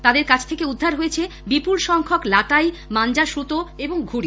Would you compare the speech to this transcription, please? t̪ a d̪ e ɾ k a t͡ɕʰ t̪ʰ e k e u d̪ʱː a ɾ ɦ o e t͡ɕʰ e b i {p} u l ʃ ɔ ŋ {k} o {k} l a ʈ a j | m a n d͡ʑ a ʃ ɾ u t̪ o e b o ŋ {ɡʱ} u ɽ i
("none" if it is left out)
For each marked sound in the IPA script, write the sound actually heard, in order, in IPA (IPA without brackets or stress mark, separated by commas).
p, kʰ, k, ɡʱ